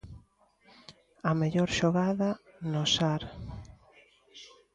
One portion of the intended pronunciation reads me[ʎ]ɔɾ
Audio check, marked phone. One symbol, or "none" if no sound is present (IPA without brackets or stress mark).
ʎ